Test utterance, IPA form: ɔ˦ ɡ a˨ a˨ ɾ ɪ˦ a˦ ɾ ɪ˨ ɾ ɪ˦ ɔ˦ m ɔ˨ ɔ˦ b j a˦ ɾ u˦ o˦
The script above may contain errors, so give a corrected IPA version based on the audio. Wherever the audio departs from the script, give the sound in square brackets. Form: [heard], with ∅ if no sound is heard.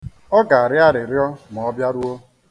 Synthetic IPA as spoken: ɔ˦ ɡ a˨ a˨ ɾ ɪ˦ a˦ ɾ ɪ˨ ɾ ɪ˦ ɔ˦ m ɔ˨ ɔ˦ b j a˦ ɾ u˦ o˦